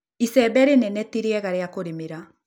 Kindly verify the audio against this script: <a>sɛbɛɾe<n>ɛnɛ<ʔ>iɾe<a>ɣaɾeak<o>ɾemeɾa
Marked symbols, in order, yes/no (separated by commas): no, yes, no, no, yes